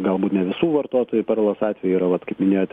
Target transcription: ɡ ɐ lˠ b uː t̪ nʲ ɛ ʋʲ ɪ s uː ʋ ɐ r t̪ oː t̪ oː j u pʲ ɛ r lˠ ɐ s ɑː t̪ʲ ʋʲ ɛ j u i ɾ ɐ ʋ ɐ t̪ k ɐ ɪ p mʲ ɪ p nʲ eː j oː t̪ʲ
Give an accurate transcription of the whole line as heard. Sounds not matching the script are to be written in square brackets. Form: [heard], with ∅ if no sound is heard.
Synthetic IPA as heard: ɡ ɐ lˠ b uː t̪ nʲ ɛ ʋʲ ɪ s uː ʋ ɐ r t̪ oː t̪ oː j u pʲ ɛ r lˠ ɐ s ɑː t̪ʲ ʋʲ ɛ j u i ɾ ɐ ʋ ɐ t̪ k ɐ ɪ p mʲ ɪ [∅] nʲ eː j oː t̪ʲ